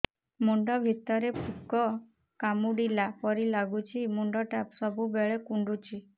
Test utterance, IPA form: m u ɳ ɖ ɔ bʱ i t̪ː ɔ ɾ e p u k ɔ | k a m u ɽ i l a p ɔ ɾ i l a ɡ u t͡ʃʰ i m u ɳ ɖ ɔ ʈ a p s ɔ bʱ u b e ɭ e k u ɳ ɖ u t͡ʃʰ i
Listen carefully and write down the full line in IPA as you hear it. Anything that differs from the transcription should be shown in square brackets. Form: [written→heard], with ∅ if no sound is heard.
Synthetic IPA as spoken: m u ɳ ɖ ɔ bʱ i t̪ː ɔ ɾ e p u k ɔ | k a m u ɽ i l a p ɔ ɾ i l a ɡ u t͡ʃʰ i m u ɳ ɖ ɔ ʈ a p s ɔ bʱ u b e ɭ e k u ɳ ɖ u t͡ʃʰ i